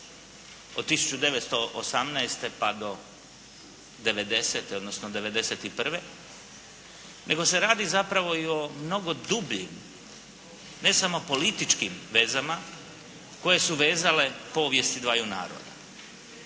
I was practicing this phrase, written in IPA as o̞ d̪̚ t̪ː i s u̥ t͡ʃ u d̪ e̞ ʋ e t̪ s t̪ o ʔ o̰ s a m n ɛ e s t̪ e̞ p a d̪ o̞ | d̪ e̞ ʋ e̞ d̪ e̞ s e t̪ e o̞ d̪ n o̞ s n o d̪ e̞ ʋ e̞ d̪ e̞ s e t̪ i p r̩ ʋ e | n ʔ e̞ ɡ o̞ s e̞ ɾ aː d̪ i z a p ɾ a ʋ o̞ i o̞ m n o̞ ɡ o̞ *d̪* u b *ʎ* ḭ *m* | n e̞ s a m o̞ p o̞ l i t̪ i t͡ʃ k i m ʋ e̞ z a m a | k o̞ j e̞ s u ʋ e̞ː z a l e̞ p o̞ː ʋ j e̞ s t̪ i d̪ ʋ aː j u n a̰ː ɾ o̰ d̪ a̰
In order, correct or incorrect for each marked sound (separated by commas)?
correct, correct, correct